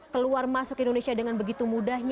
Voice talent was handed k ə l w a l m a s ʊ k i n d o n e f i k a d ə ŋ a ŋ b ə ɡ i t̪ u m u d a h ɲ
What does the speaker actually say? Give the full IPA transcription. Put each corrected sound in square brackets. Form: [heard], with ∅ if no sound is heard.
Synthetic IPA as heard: k ə l [u] a [r] m a s ʊ k i n d o n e [s] i [∅] a d ə ŋ a [n] b ə ɡ i t̪ u m u d a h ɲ

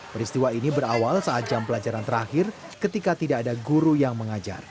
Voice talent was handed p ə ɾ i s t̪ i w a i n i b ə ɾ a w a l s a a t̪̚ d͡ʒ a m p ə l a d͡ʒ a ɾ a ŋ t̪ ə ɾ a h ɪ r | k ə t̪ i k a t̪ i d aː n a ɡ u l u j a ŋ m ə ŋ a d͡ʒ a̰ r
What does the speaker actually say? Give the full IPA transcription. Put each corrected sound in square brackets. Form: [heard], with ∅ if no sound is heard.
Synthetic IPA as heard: p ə ɾ i s t̪ i w a i n i b ə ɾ a w a l s a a t̪̚ d͡ʒ a m p ə l a d͡ʒ a ɾ a [n] t̪ ə ɾ a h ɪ r | k ə t̪ i k a t̪ i d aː [d] a ɡ u [ɾ] u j a ŋ m ə ŋ a d͡ʒ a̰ r

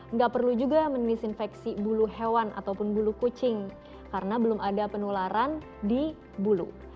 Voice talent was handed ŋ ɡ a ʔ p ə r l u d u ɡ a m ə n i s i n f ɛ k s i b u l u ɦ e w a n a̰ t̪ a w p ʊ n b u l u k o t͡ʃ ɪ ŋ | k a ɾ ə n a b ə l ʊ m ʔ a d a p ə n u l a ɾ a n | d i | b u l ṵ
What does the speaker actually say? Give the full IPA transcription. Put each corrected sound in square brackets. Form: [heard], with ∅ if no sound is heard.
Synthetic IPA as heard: ŋ ɡ a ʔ p ə r l u [d͡ʒ] u ɡ a m ə n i s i n f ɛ k s i b u l u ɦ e w a n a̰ t̪ a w p ʊ n b u l u k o t͡ʃ ɪ ŋ | k a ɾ ə n a b ə l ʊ m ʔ a d a p ə n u l a ɾ a n | d i | b u l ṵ

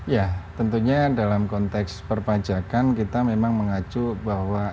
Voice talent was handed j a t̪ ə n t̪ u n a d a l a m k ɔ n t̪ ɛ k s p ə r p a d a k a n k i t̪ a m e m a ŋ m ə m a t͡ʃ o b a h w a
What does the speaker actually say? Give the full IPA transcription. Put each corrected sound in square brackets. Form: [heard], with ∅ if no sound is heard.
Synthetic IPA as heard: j a t̪ ə n t̪ u [ɲ] a d a l a m k ɔ n t̪ ɛ k s p ə r p a [d͡ʒ] a k a n k i t̪ a m e m a ŋ m ə [ŋ] a t͡ʃ [u] b a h w a

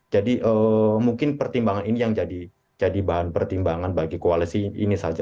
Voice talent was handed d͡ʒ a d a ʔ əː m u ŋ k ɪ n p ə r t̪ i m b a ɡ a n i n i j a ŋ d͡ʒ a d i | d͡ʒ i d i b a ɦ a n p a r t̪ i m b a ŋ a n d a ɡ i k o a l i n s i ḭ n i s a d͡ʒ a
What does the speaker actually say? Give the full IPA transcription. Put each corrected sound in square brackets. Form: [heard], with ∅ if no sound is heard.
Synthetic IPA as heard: d͡ʒ a d [i] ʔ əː m u ŋ k ɪ n p ə r t̪ i m b a [ŋ] a n i n i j a ŋ d͡ʒ a d i | d͡ʒ [a] d i b a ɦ a n p [ə] r t̪ i m b a ŋ a n [b] a ɡ i k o a l i [∅] s i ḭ n i s a d͡ʒ a

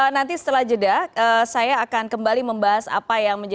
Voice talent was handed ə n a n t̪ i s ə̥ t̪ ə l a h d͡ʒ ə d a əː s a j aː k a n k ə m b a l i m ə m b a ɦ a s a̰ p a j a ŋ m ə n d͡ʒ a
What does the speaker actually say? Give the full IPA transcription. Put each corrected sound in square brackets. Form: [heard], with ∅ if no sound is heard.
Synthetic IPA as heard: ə n a n t̪ i s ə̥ t̪ ə l a h d͡ʒ ə d a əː s a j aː k a n k ə m b a l i m ə m b a ɦ a s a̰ p a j a ŋ m ə [ɲ] d͡ʒ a

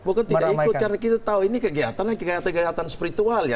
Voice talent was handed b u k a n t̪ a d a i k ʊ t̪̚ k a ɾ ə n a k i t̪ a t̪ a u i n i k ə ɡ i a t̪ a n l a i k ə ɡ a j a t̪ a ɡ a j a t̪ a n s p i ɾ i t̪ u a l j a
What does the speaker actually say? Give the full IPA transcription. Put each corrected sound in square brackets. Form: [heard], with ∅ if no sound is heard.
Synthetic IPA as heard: b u k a n t̪ [i] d a i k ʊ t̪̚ k a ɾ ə n a k i t̪ a t̪ a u i n i k ə ɡ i a t̪ a n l a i k ə ɡ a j a t̪ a ɡ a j a t̪ a n s p i ɾ i t̪ u a l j a

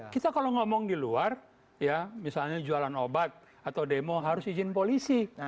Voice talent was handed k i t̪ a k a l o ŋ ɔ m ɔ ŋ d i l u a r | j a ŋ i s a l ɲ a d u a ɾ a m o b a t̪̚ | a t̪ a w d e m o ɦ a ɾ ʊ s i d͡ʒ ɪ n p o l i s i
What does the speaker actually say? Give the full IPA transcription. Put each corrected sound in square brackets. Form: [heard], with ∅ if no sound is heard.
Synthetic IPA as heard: k i t̪ a k a l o ŋ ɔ m ɔ ŋ d i l u a r | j a [m] i s a l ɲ a [d͡ʒ] u a [l] a [n] o b a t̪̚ | a t̪ a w d e m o ɦ a ɾ ʊ s i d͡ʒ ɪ n p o l i s i

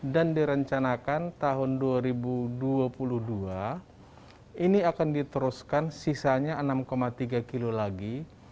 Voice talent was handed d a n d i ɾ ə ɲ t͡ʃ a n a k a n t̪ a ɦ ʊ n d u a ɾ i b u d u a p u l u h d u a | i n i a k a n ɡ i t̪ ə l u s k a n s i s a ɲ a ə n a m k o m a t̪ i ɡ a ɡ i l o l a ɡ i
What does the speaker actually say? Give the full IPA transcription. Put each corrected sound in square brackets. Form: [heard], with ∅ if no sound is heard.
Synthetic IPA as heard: d a n d i ɾ ə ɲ t͡ʃ a n a k a n t̪ a ɦ ʊ n d u a ɾ i b u d u a p u l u h d u a | i n i a k a n [d] i t̪ ə [ɾ] u s k a n s i s a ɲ a ə n a m k o m a t̪ i ɡ a [k] i l o l a ɡ i

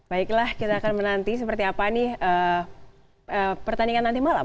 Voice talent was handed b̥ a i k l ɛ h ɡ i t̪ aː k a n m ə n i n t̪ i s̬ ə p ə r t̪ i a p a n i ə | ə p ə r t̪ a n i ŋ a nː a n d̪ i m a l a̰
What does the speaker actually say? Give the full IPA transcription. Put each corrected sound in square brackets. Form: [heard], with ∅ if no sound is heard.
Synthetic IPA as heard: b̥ a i k l [a] h [k] i t̪ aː k a n m ə n [a] n t̪ i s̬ ə p ə r t̪ i a p a n i ə | ə p ə r t̪ a n i ŋ a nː a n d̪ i m a l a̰

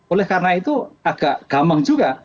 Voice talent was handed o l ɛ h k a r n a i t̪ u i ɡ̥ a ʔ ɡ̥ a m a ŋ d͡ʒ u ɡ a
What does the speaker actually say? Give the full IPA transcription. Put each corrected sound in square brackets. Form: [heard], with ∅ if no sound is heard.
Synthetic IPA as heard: o l ɛ h k a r n a i t̪ u [a] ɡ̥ a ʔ ɡ̥ a m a ŋ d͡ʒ u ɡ a

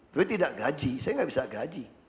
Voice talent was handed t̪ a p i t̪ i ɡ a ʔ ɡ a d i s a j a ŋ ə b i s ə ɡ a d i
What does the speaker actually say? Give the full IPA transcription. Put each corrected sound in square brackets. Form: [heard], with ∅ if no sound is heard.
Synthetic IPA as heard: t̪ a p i t̪ i [d] a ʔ ɡ a [d͡ʒ] i s a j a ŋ [a] b i s [a] ɡ a [d͡ʒ] i

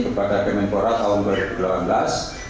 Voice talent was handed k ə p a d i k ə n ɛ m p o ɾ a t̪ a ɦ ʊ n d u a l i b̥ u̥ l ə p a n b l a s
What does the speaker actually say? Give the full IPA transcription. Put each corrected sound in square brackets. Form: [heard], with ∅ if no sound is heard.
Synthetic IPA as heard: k ə p a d [a] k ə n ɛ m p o ɾ a t̪ a ɦ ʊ n d u a [ɾ] i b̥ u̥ l [a] p a n b l a s

